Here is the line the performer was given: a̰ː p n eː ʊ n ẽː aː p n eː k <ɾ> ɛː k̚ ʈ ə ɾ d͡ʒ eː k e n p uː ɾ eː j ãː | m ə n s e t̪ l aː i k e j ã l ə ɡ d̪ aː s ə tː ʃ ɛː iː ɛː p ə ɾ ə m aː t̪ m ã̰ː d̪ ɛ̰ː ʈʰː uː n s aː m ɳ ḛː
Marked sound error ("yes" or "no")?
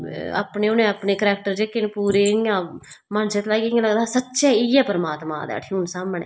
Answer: no